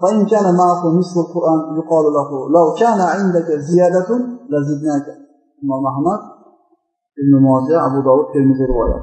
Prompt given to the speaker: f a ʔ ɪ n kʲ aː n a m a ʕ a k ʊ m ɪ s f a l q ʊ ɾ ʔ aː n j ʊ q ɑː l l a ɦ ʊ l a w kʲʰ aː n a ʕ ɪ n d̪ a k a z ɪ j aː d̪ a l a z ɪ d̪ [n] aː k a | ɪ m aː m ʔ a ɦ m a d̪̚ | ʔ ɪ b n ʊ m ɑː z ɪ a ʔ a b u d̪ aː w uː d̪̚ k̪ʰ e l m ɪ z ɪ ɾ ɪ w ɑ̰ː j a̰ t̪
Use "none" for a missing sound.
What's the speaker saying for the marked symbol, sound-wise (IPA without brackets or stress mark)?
n